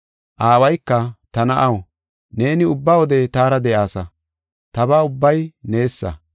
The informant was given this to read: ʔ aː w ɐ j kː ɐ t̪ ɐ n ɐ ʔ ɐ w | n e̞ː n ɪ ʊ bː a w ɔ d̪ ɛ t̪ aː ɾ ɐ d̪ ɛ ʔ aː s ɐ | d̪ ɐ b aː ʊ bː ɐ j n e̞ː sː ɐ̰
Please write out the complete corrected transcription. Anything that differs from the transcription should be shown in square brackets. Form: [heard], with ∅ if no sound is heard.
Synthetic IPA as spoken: ʔ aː w ɐ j kː ɐ t̪ ɐ n ɐ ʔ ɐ w | n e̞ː n ɪ ʊ bː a w ɔ d̪ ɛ t̪ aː ɾ ɐ d̪ ɛ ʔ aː s ɐ | [t̪] ɐ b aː ʊ bː ɐ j n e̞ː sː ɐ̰